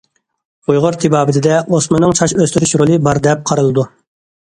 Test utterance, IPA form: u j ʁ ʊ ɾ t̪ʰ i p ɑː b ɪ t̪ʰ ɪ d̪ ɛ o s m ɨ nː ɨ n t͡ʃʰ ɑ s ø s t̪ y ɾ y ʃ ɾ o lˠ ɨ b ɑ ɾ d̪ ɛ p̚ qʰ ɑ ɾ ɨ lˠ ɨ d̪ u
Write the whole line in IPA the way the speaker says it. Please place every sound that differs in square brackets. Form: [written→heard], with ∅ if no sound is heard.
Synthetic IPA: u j ʁ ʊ ɾ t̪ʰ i [p→b] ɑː b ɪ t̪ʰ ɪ d̪ ɛ o s m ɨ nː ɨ [n→ŋ] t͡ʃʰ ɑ [s→ʃ] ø s t̪ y ɾ y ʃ ɾ o lˠ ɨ b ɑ ɾ d̪ ɛ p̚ qʰ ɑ ɾ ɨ lˠ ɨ d̪ u